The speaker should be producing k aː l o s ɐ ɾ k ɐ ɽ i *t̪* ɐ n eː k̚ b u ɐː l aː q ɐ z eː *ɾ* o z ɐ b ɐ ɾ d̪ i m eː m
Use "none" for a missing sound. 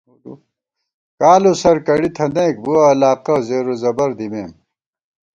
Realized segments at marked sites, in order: t̪ʰ, ɾ

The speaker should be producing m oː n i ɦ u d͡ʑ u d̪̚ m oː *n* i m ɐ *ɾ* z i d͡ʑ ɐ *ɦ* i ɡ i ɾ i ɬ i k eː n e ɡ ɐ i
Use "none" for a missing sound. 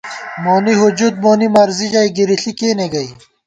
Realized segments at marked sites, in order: n, ɾ, none

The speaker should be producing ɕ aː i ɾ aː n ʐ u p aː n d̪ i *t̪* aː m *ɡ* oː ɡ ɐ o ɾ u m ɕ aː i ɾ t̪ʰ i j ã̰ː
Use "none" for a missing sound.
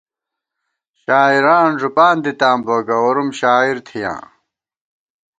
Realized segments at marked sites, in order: t̪, b

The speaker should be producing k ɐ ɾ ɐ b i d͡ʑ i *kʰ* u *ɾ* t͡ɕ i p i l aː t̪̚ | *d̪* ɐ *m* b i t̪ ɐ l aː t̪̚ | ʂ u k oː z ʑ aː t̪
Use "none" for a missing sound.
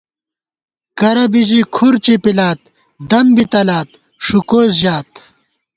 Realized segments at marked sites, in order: kʰ, ɾ, d̪, m

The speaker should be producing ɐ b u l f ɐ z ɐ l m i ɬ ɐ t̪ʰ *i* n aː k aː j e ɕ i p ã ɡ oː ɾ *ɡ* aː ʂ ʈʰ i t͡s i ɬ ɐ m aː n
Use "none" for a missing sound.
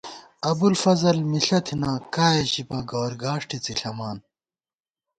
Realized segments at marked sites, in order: i, ɡ

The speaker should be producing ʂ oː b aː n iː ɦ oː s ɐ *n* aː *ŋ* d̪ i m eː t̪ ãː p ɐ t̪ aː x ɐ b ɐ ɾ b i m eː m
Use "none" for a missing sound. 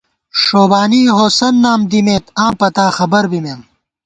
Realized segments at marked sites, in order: nː, m

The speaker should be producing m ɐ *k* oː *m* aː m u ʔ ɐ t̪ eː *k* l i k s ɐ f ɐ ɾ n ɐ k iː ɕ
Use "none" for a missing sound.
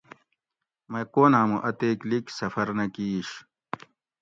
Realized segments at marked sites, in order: k, n, k

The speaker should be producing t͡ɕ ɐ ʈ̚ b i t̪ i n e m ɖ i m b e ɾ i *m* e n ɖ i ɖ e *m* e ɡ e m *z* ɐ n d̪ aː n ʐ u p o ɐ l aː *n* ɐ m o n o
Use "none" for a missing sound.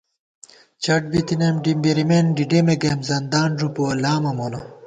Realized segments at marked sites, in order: m, m, z, m

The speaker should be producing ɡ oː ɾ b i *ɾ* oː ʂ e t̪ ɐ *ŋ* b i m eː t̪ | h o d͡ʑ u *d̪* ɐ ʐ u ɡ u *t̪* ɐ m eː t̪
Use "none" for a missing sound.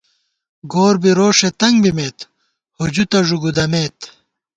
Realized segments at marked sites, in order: ɾ, ŋ, t̪, d̪

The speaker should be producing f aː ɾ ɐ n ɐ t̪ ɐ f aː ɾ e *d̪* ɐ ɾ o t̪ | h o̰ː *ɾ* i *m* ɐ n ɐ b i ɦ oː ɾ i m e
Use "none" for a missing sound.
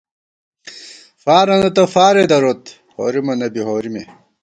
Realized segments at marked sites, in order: d̪, ɾ, m

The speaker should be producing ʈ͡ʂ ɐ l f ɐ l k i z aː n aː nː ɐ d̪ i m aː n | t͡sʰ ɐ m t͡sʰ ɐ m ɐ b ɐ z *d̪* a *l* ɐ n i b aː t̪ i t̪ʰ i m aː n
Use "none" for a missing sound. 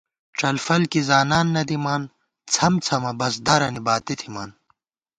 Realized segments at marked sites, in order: d̪, ɾ

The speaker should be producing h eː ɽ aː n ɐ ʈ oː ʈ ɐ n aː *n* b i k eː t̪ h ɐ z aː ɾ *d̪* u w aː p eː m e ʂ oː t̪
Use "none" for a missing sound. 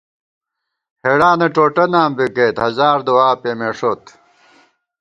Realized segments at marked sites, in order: m, d̪

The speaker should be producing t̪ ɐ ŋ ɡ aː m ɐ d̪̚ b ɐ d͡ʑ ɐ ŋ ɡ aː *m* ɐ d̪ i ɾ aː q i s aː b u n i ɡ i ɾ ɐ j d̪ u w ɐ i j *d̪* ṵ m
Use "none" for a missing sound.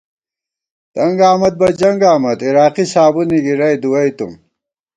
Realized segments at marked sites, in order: m, t̪

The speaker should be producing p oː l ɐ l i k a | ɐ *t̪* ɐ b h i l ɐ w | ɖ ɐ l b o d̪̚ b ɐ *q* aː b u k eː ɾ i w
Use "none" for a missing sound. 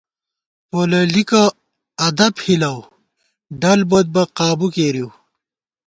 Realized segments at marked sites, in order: d̪, q

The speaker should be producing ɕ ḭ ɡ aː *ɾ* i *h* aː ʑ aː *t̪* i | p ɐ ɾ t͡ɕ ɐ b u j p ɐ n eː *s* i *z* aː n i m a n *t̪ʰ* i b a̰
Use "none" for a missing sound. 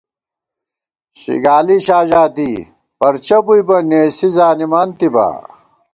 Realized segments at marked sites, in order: l, ɕ, t̪, s, z, t̪

